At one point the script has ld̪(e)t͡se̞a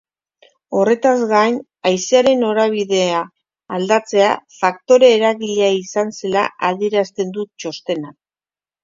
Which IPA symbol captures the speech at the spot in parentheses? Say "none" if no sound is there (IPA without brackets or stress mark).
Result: a